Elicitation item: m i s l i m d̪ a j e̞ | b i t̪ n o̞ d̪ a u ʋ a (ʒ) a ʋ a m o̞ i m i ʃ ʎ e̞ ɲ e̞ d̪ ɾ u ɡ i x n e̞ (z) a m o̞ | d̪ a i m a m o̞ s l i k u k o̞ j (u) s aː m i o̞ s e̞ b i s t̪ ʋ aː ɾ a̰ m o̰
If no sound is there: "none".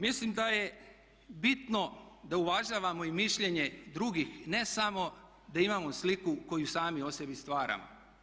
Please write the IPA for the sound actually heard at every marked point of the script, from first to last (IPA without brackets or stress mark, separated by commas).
ʒ, s, u